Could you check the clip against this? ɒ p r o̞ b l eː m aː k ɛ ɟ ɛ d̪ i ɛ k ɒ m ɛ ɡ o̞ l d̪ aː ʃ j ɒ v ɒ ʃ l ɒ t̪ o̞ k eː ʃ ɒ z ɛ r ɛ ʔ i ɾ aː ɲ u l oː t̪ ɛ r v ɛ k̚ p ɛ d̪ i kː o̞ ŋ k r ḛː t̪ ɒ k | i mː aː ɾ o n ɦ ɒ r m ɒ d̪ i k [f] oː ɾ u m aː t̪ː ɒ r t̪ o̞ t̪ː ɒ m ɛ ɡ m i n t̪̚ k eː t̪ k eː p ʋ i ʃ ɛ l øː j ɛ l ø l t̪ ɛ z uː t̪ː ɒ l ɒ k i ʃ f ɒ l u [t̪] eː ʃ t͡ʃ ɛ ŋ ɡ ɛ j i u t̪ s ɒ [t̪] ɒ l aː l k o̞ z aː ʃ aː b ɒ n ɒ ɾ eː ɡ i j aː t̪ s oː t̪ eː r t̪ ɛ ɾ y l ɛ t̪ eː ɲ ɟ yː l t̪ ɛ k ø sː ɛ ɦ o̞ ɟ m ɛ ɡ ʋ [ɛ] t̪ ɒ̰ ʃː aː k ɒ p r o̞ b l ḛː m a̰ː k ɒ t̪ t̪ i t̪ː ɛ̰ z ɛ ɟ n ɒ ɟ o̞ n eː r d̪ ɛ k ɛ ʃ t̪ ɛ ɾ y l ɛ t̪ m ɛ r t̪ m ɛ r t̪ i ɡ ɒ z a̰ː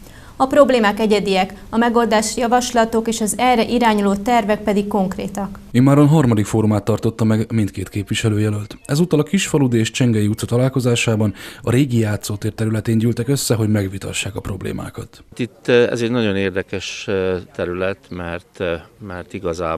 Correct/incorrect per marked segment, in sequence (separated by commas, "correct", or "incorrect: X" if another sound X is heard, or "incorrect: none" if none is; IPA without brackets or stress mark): correct, incorrect: d̪, correct, incorrect: i